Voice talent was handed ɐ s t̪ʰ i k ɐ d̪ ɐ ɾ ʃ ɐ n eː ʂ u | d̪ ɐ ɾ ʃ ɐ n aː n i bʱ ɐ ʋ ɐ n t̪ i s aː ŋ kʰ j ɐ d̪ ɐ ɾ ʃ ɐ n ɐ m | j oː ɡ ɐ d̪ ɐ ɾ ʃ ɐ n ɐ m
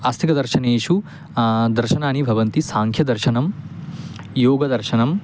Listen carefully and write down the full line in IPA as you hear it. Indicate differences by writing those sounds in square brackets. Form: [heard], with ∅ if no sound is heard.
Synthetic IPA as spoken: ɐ s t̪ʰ i k ɐ d̪ ɐ ɾ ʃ ɐ n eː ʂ u | d̪ ɐ ɾ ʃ ɐ n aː n i bʱ ɐ ʋ ɐ n t̪ i s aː ŋ kʰ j ɐ d̪ ɐ ɾ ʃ ɐ n ɐ m | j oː ɡ ɐ d̪ ɐ ɾ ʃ ɐ n ɐ m

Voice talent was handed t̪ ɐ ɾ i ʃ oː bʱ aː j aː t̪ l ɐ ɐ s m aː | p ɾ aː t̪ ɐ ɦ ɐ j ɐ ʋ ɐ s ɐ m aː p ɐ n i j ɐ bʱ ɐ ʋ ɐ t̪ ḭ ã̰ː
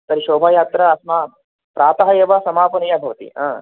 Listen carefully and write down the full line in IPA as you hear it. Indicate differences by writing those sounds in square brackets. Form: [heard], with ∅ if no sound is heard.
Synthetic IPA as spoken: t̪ ɐ ɾ i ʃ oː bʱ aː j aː t̪ [ɾ] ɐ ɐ s m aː | p ɾ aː t̪ ɐ ɦ ɐ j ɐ ʋ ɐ s ɐ m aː p ɐ n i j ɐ bʱ ɐ ʋ ɐ t̪ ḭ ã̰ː

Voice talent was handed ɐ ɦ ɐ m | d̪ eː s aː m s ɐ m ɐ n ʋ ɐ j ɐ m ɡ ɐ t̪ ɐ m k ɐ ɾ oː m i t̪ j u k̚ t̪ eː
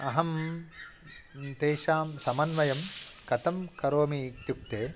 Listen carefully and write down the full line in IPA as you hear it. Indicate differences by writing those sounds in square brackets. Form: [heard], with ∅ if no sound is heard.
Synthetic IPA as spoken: ɐ ɦ ɐ m | [t̪] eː [ʃ] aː m s ɐ m ɐ n ʋ ɐ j ɐ m [k] ɐ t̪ ɐ m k ɐ ɾ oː m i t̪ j u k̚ t̪ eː

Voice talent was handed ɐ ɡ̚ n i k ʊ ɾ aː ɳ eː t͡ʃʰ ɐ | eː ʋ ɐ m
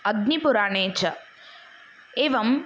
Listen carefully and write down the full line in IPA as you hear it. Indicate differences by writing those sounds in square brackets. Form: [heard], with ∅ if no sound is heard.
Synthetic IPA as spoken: ɐ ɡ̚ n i [p] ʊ ɾ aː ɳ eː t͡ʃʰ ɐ | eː ʋ ɐ m

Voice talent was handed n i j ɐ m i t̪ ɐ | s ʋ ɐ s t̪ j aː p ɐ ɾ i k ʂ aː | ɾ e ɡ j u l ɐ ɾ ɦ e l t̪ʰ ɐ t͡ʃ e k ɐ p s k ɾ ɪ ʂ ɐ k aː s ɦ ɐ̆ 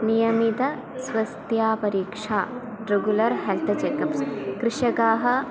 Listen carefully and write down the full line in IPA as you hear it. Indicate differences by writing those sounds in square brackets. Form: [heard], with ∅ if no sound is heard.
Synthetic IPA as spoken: n i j ɐ m i t̪ ɐ | s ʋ ɐ s t̪ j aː p ɐ ɾ [iː] k ʂ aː | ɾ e ɡ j u l ɐ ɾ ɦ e l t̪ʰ ɐ t͡ʃ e k ɐ p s k ɾ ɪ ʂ ɐ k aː [∅] ɦ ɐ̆

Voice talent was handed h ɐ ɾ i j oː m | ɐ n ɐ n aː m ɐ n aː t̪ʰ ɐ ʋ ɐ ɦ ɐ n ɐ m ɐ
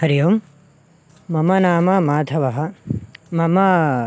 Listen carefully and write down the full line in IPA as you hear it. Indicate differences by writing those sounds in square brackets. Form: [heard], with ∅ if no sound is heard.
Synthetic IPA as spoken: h ɐ ɾ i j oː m | ɐ [m] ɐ n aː m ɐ [m] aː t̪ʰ ɐ ʋ ɐ ɦ ɐ [m] ɐ m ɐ

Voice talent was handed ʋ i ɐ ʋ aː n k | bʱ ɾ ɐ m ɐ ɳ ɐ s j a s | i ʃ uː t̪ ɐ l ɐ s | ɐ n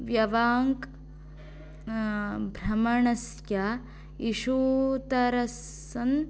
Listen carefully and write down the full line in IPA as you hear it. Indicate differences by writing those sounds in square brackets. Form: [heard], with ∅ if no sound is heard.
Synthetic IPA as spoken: ʋ [j] ɐ ʋ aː [ŋ] k | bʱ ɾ ɐ m ɐ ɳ ɐ s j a [∅] | i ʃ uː t̪ ɐ [ɾ] ɐ s | ɐ n

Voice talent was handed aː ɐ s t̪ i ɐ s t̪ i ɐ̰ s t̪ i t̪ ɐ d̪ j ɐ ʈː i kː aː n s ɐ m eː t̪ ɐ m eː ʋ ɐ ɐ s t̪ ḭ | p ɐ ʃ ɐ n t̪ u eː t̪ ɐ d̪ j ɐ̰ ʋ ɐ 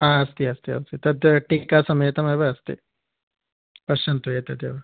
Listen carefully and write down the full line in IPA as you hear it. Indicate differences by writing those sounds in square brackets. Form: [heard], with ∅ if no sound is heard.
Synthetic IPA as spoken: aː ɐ s t̪ i ɐ s t̪ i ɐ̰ s t̪ i t̪ ɐ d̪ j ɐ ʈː i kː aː [∅] s ɐ m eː t̪ ɐ m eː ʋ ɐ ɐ s t̪ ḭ | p ɐ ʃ ɐ n t̪ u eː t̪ ɐ d̪ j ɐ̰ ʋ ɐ

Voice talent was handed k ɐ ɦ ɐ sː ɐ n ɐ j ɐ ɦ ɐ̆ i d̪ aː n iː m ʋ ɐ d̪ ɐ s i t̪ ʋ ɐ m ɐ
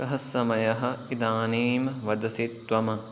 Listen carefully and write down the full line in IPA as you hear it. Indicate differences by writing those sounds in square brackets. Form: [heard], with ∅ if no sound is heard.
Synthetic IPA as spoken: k ɐ ɦ ɐ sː ɐ [m] ɐ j ɐ ɦ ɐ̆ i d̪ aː n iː m ʋ ɐ d̪ ɐ s i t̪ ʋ ɐ m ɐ

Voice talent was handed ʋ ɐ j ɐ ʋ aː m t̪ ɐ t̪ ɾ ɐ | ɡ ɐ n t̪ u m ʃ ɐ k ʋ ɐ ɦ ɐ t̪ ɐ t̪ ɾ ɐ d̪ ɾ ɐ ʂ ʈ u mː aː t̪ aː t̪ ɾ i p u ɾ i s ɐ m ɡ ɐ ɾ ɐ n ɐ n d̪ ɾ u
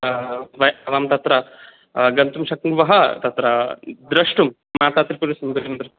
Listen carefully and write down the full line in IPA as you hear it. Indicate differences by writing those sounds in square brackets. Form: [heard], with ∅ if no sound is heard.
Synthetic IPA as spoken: ʋ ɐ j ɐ ʋ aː m t̪ ɐ t̪ ɾ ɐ | ɡ ɐ n t̪ u m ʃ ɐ k ʋ ɐ ɦ ɐ t̪ ɐ t̪ ɾ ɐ d̪ ɾ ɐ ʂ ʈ u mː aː t̪ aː t̪ ɾ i p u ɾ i s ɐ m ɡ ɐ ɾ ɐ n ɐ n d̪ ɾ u

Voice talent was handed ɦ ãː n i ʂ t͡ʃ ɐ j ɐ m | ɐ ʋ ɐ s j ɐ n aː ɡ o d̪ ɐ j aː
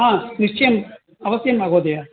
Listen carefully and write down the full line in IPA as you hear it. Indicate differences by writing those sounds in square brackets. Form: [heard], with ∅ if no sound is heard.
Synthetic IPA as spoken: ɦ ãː n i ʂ t͡ʃ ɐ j ɐ m | ɐ ʋ ɐ s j ɐ [m] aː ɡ o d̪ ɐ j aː

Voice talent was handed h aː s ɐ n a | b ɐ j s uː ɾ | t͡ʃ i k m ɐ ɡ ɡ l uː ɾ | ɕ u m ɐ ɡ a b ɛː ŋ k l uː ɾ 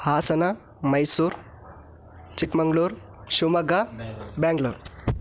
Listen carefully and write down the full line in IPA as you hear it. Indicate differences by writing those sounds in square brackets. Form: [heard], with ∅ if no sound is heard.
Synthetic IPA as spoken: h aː s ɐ n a | [m] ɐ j s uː ɾ | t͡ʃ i k m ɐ [ŋ] ɡ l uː ɾ | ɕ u m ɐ ɡ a b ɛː ŋ [ɡ] l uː ɾ

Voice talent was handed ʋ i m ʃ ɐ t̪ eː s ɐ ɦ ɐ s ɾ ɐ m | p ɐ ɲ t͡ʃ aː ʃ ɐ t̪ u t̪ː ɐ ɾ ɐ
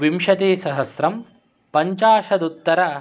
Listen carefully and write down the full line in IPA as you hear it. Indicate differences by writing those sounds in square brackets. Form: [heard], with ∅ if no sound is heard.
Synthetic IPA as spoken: ʋ i m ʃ ɐ t̪ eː s ɐ ɦ ɐ s ɾ ɐ m | p ɐ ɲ t͡ʃ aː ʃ ɐ [d̪] u t̪ː ɐ ɾ ɐ

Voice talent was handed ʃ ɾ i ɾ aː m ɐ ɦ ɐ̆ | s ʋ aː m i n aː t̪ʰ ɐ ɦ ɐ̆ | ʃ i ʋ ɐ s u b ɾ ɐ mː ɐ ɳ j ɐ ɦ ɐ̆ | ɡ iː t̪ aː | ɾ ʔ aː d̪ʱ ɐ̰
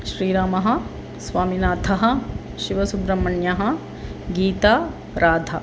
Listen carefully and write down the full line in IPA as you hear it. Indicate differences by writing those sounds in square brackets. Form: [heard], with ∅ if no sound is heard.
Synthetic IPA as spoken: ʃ ɾ [iː] ɾ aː m ɐ ɦ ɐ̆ | s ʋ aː m i n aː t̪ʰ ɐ ɦ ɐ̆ | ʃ i ʋ ɐ s u b ɾ ɐ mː ɐ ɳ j ɐ ɦ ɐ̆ | ɡ iː t̪ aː | ɾ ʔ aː d̪ʱ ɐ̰

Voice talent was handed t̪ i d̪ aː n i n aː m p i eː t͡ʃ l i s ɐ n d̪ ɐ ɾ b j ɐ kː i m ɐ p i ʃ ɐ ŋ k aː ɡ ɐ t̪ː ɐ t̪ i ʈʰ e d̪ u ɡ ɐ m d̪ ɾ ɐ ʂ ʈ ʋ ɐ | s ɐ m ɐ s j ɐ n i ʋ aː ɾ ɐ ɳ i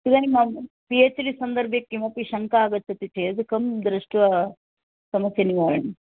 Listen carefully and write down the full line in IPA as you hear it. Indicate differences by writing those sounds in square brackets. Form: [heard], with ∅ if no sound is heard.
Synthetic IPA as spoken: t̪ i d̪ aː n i [m] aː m p i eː t͡ʃ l i s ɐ n d̪ ɐ ɾ b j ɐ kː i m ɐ p i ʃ ɐ ŋ k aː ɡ ɐ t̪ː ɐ t̪ i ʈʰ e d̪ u [k] ɐ m d̪ ɾ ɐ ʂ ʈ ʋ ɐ | s ɐ m ɐ s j ɐ n i ʋ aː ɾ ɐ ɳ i

